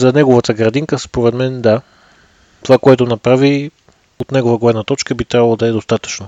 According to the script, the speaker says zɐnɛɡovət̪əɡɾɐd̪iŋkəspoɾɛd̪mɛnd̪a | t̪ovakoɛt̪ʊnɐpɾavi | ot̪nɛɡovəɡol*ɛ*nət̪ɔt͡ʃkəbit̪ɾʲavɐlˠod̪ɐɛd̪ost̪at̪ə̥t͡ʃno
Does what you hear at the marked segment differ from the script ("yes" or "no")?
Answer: no